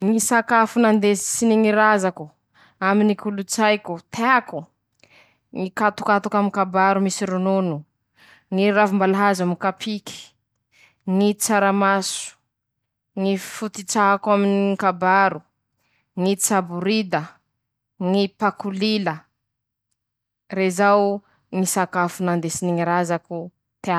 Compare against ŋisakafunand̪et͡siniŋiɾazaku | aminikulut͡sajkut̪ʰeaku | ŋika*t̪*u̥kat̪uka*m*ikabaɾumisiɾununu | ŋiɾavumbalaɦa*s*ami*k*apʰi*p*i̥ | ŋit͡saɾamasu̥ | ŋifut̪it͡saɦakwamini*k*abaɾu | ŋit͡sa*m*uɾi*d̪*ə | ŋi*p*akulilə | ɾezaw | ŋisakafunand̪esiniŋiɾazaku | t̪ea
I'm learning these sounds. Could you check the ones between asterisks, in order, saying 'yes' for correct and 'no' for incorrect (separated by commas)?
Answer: yes, yes, no, yes, no, yes, no, yes, yes